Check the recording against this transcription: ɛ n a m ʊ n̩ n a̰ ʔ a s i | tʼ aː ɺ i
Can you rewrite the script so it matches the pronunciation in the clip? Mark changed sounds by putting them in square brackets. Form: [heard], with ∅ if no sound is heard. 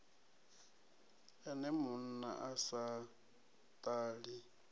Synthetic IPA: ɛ n [ɛ] m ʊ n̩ n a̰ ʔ a s [a] | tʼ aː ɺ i

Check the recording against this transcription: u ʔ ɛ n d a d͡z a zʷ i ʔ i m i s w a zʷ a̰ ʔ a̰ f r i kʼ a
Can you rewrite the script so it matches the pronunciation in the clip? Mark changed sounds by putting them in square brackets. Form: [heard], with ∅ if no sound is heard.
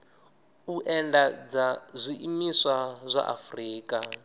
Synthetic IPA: u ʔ ɛ n d a d͡z a zʷ i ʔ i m i s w a zʷ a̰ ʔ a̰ f r [iː] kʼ a

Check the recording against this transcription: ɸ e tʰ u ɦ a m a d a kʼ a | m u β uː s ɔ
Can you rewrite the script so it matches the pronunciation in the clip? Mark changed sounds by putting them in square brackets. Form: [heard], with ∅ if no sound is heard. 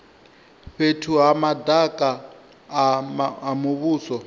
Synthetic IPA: ɸ e tʰ u ɦ a m a d a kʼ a | m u β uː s ɔ

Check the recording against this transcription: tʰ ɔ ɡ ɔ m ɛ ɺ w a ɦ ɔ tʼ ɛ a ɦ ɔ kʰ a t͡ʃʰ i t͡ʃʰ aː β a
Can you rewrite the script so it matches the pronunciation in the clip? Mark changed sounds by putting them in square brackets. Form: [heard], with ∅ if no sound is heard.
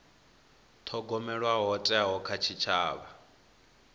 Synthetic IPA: tʰ ɔ ɡ ɔ m ɛ ɺ w a ɦ ɔ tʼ ɛ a ɦ ɔ kʰ a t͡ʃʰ i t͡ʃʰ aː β a

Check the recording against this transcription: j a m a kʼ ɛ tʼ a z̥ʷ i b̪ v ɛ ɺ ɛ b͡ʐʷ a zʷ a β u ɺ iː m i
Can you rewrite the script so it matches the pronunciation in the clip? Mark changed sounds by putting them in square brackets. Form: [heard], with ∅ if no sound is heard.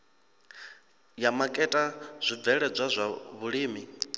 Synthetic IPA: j a m a kʼ ɛ tʼ a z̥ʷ i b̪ v ɛ ɺ ɛ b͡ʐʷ a zʷ a β u ɺ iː m i

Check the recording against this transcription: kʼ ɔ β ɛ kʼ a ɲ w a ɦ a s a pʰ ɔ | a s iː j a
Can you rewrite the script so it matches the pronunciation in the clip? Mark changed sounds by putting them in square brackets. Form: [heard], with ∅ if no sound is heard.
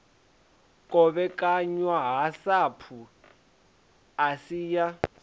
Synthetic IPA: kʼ ɔ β ɛ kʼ a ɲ w a ɦ a s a pʰ [u] | a s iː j a

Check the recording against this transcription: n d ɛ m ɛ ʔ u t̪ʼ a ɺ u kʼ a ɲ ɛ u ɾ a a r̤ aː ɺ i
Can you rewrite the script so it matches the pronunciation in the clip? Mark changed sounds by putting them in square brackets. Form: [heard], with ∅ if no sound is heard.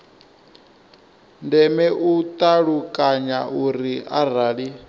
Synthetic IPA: n d ɛ m ɛ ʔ u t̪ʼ a ɺ u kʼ a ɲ [a] u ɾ [i] a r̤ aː ɺ i

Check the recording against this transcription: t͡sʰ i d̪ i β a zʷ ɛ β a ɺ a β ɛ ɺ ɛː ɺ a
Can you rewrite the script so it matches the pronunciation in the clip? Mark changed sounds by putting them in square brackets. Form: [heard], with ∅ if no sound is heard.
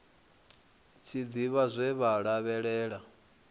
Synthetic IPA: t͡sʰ i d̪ i β a zʷ ɛ β a ɺ a β ɛ ɺ ɛː ɺ a

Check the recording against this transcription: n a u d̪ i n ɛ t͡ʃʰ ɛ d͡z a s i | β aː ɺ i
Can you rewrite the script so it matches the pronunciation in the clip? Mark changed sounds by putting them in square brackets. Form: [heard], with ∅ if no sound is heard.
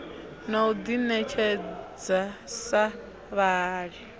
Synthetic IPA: n a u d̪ i n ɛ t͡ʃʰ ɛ d͡z a s [a] | β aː ɺ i

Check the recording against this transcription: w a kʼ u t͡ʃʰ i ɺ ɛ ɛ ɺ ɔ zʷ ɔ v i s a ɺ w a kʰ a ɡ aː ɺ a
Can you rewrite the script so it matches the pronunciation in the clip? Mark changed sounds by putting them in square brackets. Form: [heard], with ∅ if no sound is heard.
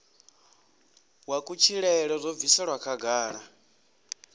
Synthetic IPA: w a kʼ u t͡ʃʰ i ɺ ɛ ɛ ɺ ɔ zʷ ɔ v i s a ɺ w a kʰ a ɡ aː ɺ a

